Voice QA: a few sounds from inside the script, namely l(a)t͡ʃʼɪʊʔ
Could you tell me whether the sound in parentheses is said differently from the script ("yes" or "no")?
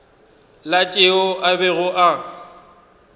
no